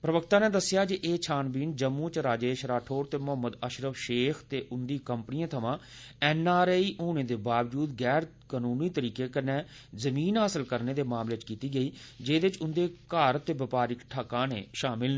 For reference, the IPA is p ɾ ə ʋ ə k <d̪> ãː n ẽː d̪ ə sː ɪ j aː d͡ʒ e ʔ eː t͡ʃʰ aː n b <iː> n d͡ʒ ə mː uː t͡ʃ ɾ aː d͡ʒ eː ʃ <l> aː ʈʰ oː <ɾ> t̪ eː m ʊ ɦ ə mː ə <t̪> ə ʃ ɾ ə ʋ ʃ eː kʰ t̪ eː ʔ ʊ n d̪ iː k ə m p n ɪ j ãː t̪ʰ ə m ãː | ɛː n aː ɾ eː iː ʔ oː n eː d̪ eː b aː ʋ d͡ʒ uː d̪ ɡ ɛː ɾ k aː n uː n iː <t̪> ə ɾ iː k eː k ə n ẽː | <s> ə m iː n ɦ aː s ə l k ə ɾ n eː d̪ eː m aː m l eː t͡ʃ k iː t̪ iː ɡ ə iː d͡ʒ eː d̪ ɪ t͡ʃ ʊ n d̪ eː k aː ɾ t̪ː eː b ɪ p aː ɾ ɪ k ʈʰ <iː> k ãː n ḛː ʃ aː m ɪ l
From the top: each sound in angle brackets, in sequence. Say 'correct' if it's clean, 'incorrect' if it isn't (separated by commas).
incorrect, correct, incorrect, correct, incorrect, correct, incorrect, incorrect